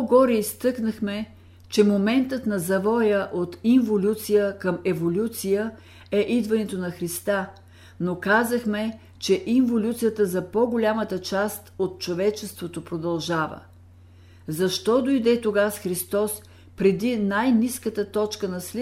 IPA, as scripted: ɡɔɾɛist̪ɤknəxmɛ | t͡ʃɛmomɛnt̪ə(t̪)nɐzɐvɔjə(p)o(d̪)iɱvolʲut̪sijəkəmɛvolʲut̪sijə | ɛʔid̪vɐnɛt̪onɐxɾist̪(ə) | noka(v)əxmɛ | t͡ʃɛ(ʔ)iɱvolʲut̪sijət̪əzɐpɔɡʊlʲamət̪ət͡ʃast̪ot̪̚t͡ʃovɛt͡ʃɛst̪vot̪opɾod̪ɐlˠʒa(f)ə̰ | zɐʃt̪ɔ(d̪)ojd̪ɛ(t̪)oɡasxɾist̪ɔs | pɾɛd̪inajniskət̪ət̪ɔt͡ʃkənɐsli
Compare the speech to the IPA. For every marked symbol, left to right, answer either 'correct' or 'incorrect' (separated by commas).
correct, incorrect, incorrect, incorrect, incorrect, correct, incorrect, correct, correct